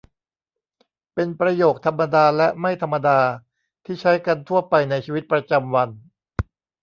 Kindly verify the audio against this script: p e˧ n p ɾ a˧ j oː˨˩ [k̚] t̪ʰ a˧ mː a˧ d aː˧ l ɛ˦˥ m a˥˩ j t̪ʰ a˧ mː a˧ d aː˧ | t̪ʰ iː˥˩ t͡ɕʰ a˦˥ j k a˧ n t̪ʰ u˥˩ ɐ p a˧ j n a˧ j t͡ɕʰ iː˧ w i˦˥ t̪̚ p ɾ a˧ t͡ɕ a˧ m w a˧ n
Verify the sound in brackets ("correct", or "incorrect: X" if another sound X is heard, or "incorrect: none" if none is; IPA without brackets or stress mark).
correct